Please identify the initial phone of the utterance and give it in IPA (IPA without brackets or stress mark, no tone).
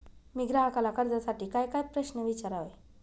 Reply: m